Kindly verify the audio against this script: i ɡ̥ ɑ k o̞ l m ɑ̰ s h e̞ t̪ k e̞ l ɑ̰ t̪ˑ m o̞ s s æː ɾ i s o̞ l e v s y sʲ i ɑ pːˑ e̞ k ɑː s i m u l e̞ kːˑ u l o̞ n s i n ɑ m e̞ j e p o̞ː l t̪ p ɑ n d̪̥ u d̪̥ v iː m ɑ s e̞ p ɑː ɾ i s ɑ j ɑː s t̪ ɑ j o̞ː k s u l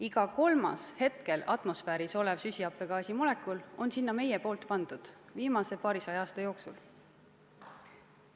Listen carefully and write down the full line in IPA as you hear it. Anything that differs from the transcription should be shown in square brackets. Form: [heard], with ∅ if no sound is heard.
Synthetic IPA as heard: i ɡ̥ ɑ k o̞ l m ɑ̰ s h e̞ t̪ k e̞ l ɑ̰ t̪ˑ m o̞ s [f] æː ɾ i s o̞ l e v s y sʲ i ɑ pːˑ e̞ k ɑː s i m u l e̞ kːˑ u l o̞ n s i [nː] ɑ m e̞ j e p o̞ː l t̪ p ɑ n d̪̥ u d̪̥ v iː m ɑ s e̞ p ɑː ɾ i s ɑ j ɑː s t̪ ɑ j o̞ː k s u l